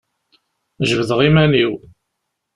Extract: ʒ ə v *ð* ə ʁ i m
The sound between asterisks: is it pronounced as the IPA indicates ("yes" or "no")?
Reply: yes